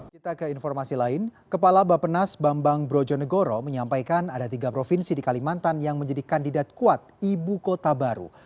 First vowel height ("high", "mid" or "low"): high